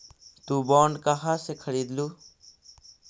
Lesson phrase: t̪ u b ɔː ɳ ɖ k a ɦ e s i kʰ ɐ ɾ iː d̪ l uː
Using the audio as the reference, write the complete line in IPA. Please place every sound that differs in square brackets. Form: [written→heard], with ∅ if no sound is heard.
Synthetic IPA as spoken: t̪ u b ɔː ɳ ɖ k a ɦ [e→a] s [i→e] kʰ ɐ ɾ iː d̪ l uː